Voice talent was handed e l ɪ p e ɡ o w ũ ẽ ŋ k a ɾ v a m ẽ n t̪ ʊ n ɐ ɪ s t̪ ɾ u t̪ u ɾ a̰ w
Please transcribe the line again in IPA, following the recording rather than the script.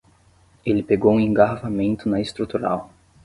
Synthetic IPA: e l ɪ p e ɡ o w ũ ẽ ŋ ɡ a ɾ v a m ẽ n t̪ ʊ n ɐ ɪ s t̪ ɾ u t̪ u ɾ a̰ w